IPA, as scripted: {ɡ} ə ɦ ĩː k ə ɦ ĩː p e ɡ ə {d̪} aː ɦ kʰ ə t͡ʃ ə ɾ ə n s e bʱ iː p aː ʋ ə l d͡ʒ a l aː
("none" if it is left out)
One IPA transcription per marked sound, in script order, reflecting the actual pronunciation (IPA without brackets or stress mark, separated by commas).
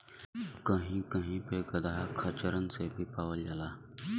k, d̪